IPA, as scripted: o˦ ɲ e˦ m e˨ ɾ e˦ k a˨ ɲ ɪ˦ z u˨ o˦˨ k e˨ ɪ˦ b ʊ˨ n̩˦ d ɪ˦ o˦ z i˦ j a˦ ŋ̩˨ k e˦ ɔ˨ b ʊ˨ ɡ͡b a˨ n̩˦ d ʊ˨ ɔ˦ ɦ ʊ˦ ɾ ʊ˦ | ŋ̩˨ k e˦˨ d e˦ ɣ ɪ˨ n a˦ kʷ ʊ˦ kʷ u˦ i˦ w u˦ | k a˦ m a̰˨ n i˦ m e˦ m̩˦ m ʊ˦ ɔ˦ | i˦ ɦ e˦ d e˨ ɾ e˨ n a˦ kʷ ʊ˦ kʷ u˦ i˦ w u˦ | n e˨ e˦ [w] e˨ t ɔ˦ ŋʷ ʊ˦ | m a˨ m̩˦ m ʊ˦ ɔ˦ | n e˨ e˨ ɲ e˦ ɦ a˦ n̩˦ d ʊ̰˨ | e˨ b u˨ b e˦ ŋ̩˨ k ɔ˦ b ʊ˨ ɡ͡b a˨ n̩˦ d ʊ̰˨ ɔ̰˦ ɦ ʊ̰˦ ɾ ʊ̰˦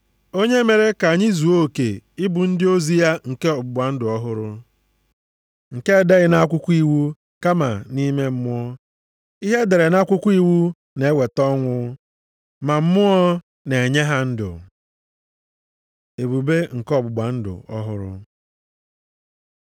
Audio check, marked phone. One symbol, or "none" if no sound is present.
w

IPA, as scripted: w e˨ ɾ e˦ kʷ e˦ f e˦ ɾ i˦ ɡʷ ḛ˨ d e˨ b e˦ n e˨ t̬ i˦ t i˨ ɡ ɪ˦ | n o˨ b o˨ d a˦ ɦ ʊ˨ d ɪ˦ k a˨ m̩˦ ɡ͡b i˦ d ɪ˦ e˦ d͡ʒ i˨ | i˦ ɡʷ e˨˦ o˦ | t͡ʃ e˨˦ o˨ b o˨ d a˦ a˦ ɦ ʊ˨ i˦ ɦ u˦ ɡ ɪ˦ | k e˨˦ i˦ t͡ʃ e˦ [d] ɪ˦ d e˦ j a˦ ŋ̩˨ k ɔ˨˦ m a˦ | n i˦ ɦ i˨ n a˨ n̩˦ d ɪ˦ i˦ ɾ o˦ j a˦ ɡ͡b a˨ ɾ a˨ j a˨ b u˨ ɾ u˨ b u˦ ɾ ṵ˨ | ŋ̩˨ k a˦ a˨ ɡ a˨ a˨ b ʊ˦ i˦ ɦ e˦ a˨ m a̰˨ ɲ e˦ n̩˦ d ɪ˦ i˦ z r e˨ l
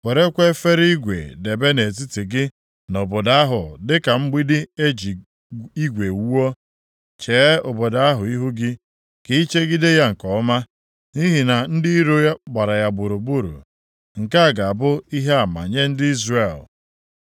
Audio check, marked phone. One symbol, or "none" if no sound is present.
ɡ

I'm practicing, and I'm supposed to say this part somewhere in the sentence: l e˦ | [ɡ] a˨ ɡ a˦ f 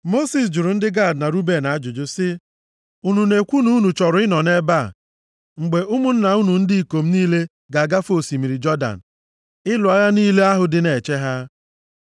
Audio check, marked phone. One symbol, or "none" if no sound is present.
ɡ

